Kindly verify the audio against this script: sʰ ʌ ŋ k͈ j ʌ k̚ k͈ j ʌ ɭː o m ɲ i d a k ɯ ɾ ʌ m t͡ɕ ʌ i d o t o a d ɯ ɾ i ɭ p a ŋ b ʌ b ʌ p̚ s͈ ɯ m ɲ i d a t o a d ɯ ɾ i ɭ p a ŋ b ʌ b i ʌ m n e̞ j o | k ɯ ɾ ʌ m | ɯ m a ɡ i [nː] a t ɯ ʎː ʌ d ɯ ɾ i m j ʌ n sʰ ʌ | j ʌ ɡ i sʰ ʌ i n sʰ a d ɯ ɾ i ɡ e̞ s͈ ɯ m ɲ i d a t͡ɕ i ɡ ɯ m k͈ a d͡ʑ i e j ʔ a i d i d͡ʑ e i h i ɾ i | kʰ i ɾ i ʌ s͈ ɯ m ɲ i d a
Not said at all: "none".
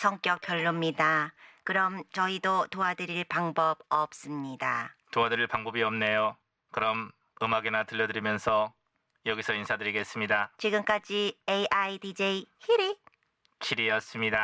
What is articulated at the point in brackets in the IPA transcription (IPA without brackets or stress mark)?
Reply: n